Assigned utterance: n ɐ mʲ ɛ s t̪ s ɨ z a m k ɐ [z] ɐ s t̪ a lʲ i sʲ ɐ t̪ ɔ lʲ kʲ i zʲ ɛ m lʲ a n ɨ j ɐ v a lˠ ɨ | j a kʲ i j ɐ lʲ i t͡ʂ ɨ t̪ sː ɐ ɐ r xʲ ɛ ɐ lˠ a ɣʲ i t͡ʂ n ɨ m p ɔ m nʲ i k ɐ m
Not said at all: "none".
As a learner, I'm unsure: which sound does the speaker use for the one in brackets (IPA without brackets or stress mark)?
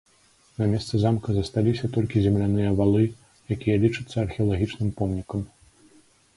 z